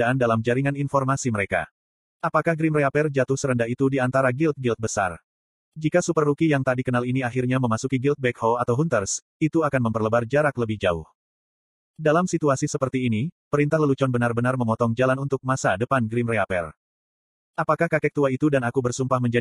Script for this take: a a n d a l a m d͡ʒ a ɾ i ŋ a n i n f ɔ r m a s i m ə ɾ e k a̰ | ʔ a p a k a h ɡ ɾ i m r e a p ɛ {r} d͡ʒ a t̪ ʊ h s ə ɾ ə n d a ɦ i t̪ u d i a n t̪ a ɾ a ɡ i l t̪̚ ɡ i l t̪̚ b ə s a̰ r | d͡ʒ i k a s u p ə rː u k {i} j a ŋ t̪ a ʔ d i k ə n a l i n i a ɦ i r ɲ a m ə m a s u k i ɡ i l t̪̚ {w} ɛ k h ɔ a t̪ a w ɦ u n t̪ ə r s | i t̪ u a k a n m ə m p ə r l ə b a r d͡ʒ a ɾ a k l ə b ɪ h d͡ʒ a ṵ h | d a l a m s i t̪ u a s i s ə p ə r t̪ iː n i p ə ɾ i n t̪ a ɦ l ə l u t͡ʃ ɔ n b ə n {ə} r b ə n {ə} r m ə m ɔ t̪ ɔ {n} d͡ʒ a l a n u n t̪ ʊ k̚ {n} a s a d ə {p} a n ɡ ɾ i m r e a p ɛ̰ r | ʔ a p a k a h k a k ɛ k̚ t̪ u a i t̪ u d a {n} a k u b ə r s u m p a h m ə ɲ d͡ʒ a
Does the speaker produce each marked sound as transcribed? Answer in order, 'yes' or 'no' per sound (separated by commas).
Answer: yes, yes, no, no, no, no, no, yes, yes